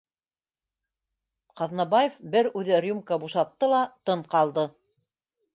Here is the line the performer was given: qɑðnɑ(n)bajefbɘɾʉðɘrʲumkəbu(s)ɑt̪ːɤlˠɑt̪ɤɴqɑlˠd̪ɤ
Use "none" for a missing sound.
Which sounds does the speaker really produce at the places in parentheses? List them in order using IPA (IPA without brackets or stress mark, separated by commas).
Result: none, ʃ